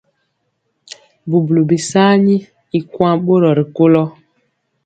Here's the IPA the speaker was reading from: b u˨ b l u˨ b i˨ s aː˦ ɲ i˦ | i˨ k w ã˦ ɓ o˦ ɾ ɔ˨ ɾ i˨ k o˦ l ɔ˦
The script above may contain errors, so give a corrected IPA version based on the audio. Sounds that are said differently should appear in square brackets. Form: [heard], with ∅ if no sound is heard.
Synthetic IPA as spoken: b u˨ b l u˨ b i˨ s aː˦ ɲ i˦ | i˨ k w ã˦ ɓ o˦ ɾ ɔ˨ ɾ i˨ k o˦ l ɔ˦